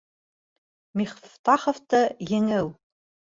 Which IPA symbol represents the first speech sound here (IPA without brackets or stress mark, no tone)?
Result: m